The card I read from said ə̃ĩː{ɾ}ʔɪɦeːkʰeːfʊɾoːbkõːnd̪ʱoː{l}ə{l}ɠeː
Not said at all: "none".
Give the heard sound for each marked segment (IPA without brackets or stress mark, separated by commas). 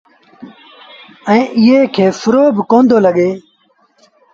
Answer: none, l, none